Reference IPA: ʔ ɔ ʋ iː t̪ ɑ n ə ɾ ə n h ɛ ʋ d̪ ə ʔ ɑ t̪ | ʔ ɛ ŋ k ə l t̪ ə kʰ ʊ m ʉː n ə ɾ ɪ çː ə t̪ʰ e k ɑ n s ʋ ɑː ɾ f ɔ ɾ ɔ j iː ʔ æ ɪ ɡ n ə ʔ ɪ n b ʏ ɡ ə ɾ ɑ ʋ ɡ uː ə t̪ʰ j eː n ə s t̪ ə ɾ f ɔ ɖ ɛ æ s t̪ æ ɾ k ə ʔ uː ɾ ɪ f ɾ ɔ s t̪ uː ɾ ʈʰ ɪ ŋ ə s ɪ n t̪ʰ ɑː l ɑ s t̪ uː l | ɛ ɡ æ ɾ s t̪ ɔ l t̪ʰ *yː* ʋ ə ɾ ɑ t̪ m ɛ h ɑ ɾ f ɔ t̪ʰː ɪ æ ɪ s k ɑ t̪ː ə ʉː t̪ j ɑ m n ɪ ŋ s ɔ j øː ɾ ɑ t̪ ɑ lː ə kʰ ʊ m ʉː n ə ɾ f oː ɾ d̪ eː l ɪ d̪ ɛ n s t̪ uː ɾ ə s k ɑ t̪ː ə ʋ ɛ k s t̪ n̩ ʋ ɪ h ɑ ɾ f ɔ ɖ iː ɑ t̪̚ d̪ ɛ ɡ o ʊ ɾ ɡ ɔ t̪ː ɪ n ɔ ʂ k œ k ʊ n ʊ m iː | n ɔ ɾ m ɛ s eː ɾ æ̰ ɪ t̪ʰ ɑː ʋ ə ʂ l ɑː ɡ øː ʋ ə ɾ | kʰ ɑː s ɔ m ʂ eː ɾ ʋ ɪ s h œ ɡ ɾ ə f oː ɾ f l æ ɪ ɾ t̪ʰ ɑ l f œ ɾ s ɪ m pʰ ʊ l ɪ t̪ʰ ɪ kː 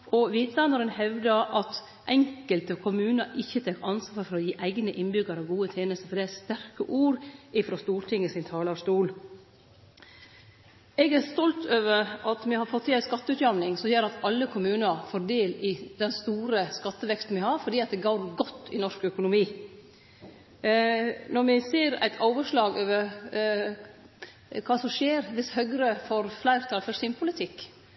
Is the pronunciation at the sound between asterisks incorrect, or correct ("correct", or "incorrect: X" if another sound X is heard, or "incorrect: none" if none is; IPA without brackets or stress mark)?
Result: incorrect: øː